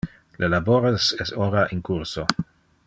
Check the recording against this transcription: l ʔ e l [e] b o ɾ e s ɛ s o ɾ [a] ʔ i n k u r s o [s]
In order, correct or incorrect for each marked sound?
incorrect: a, correct, incorrect: none

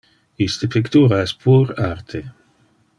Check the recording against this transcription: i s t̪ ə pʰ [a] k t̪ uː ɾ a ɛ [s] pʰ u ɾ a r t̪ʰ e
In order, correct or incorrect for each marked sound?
incorrect: i, correct

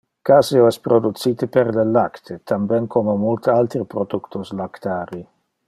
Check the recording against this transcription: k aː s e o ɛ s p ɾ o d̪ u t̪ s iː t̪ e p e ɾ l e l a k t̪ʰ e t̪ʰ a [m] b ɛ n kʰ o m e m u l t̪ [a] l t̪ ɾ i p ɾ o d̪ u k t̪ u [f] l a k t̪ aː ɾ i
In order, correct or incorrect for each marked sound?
correct, correct, incorrect: s

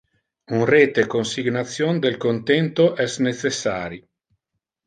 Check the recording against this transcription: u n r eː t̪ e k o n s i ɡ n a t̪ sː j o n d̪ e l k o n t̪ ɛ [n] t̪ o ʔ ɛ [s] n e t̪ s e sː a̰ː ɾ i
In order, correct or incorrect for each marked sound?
correct, correct

